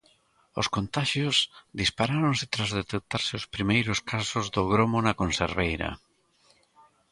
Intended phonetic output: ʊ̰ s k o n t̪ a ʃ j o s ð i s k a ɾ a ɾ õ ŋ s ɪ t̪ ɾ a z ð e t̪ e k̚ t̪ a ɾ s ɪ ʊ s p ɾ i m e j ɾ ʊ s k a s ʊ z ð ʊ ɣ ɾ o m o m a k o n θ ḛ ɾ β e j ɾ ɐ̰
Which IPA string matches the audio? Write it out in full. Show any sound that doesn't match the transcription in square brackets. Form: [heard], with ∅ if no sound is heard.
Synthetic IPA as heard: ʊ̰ s k o n t̪ a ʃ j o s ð i s [p] a ɾ a ɾ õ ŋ s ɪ t̪ ɾ a z ð e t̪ e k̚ t̪ a ɾ s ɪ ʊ s p ɾ i m e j ɾ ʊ s k a s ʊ z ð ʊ ɣ ɾ o m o [n] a k o n [s] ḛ ɾ β e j ɾ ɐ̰